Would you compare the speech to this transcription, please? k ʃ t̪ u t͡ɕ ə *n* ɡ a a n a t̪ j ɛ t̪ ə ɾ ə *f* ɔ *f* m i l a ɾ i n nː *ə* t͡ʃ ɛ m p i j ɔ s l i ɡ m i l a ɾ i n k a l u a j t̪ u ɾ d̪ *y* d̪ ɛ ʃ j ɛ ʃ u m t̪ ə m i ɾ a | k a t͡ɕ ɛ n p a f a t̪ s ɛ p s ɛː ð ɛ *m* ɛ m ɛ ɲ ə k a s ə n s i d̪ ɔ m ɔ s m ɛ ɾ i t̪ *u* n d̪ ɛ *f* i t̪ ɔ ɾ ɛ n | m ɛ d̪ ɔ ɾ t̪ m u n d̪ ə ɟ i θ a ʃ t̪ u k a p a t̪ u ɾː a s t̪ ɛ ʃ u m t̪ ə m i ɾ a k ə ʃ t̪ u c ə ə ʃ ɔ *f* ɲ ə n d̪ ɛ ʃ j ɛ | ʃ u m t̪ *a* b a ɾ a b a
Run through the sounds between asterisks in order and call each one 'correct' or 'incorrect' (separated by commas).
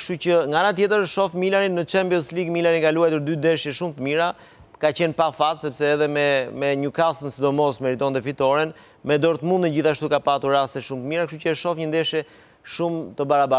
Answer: incorrect, incorrect, correct, correct, correct, correct, incorrect, correct, correct, incorrect